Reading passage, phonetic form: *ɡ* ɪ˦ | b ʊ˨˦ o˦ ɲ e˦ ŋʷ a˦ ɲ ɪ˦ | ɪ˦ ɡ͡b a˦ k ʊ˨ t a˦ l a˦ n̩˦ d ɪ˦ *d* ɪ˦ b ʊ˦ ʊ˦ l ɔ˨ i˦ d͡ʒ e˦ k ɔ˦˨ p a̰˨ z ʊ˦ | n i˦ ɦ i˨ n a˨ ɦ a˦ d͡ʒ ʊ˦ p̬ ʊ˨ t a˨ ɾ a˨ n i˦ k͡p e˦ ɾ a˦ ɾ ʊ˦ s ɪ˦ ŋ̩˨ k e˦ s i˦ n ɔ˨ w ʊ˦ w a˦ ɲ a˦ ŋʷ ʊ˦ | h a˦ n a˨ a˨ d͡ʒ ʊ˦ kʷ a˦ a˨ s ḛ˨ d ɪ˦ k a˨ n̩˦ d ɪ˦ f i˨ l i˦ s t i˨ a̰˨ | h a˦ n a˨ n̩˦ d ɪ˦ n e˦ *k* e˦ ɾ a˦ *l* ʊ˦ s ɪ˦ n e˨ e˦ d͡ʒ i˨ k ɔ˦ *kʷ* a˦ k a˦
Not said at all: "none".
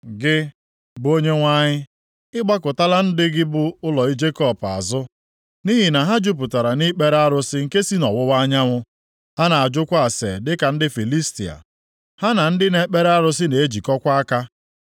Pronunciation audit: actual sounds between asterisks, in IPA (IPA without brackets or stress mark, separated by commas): ɡ, ɡ, k͡p, ɾ, kʷ